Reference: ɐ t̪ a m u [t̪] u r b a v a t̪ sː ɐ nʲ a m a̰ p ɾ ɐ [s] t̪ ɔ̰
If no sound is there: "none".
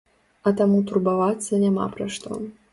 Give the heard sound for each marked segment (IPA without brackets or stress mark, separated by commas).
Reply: t̪, ʂ